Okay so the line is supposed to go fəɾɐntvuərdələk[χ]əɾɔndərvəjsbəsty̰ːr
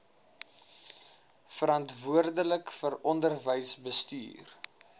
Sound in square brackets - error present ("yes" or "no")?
yes